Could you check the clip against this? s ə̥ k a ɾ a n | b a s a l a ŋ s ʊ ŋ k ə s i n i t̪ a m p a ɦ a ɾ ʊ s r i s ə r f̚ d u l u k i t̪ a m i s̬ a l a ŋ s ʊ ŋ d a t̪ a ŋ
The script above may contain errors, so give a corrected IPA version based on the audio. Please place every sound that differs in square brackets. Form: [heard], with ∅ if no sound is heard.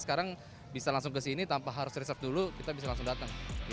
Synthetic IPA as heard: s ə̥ k a ɾ a [ŋ] | b [i] s a l a ŋ s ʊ ŋ k ə s i n i t̪ a m p a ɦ a ɾ ʊ s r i s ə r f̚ d u l u k i t̪ a [b] i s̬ a l a ŋ s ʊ ŋ d a t̪ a ŋ